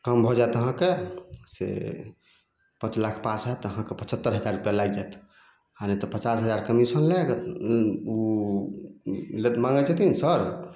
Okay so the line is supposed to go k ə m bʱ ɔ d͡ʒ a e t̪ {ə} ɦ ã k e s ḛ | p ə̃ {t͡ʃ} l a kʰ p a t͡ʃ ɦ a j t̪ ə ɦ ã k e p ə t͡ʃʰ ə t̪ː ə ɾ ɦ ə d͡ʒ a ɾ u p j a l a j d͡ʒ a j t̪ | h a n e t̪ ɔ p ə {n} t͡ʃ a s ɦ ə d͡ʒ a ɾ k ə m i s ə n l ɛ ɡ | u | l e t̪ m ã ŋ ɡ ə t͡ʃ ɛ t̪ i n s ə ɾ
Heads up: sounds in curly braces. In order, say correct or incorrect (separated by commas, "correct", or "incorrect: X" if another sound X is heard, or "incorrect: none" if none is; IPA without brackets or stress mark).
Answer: correct, correct, incorrect: none